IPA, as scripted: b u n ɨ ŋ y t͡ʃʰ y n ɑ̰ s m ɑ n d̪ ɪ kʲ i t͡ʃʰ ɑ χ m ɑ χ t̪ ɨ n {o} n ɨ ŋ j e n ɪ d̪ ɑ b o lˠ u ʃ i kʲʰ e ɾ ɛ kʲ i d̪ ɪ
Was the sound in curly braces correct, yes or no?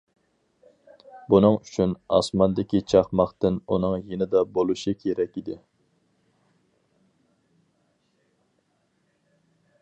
no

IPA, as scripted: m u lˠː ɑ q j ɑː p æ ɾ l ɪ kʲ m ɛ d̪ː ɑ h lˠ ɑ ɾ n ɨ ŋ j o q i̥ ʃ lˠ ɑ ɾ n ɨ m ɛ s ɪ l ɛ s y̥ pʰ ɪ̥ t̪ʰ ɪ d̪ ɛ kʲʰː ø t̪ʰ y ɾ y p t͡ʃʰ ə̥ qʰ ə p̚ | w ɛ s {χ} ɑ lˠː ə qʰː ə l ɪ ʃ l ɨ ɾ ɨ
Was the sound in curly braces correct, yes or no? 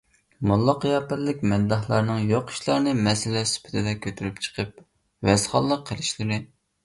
yes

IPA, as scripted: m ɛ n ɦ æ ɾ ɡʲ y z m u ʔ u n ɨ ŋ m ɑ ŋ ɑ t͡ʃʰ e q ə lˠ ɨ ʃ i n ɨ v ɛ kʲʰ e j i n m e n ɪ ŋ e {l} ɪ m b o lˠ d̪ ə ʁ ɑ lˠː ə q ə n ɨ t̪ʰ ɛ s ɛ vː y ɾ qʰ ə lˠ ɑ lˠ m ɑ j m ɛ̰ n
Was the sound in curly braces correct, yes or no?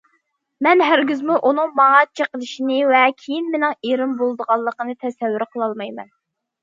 no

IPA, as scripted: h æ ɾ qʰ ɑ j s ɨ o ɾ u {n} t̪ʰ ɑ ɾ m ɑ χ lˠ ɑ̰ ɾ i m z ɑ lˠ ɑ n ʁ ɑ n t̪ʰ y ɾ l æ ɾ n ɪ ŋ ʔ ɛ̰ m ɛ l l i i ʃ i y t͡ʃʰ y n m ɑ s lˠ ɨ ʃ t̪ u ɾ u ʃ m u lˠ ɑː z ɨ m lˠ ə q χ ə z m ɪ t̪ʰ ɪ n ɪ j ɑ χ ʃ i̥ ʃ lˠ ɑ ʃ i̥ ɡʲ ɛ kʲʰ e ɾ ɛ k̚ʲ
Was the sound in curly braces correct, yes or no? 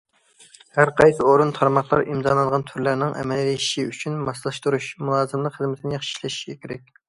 yes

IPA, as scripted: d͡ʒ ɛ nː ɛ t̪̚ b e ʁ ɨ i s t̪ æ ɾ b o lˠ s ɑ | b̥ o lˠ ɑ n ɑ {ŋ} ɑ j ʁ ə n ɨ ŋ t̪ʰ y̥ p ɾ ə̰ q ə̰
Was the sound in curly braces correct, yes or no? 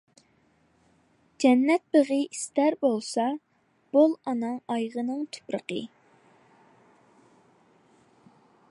yes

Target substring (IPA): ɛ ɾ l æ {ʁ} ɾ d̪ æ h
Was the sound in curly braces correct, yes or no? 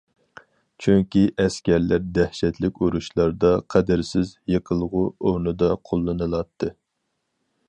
no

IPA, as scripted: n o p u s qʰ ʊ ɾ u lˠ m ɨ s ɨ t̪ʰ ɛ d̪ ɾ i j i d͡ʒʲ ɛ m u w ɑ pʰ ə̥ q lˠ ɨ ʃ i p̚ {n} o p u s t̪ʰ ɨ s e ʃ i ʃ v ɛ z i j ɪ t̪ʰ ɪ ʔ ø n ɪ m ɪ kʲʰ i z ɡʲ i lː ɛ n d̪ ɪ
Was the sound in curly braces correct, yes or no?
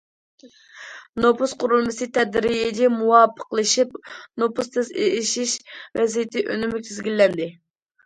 yes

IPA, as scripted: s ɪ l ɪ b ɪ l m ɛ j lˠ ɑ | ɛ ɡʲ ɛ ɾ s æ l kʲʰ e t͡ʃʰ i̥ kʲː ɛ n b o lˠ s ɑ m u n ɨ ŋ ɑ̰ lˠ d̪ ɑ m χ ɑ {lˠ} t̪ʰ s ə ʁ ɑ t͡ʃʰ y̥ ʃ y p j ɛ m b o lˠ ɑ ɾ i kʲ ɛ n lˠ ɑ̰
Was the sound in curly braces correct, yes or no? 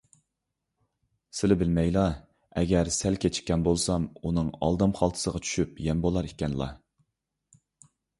yes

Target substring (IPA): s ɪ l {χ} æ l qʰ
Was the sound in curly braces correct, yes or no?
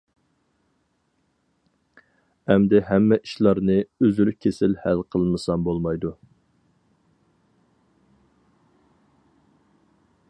no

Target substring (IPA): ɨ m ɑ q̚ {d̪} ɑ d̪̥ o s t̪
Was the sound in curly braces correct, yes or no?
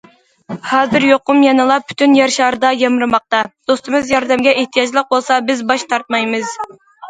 no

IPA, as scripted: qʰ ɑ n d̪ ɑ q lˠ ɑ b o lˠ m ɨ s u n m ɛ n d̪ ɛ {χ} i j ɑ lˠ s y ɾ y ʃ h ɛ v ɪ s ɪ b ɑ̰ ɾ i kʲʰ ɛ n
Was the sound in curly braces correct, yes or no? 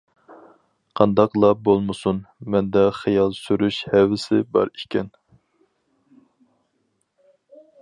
yes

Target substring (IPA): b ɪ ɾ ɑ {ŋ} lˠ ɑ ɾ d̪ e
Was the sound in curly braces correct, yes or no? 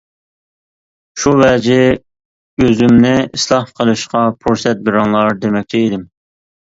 yes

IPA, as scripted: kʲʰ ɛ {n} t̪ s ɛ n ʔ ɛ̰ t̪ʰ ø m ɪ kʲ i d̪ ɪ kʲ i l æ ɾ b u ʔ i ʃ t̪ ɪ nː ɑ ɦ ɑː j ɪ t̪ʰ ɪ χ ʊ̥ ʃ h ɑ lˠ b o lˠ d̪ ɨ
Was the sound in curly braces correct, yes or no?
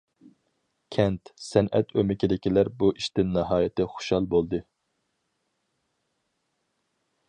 yes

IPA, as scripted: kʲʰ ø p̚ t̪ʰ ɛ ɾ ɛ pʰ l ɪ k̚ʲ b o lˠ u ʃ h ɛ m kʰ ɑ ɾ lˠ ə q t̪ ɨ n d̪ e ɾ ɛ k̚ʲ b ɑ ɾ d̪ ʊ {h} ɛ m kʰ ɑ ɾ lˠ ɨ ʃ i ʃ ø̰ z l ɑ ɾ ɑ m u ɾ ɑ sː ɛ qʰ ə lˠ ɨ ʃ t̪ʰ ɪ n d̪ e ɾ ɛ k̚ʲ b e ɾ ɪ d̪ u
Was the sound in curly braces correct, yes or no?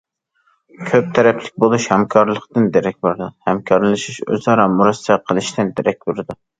yes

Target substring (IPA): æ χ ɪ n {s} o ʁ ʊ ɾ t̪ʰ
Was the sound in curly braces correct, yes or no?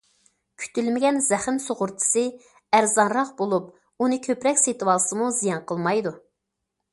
yes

